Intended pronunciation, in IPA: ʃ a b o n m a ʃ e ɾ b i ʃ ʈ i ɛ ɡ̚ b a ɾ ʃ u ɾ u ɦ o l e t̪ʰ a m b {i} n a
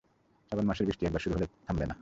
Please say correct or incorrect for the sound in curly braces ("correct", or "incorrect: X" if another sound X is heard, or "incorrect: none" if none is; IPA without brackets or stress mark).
incorrect: e